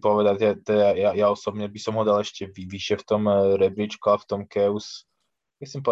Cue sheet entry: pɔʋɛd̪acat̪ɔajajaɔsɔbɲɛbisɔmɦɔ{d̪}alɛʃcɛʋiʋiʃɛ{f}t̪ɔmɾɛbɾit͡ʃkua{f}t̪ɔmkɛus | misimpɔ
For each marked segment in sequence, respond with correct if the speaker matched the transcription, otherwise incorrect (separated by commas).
correct, correct, correct